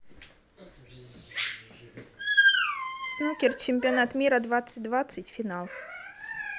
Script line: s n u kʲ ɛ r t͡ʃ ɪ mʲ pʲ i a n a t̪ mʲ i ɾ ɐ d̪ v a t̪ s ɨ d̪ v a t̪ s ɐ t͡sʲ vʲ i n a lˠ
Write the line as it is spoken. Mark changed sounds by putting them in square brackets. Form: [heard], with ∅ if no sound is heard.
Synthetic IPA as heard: s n u kʲ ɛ r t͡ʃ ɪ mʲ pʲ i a n a t̪ mʲ i ɾ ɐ d̪ v a t̪ s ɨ d̪ v a t̪ s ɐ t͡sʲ [fʲ] i n a lˠ